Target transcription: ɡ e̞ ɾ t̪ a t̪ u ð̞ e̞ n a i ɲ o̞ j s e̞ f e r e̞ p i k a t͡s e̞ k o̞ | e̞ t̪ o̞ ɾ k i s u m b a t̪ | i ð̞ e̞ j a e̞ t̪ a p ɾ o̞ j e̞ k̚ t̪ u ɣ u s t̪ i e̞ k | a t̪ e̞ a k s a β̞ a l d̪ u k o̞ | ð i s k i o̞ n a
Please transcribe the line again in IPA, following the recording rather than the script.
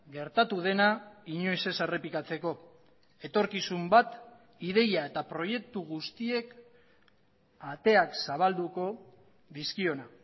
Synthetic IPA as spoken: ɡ e̞ ɾ t̪ a t̪ u ð̞ e̞ n a i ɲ o̞ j s e̞ s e r e̞ p i k a t͡s e̞ k o̞ | e̞ t̪ o̞ ɾ k i s u m b a t̪ | i ð̞ e̞ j a e̞ t̪ a p ɾ o̞ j e̞ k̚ t̪ u ɣ u s t̪ i e̞ k | a t̪ e̞ a k s a β̞ a l d̪ u k o̞ | ð i s k i o̞ n a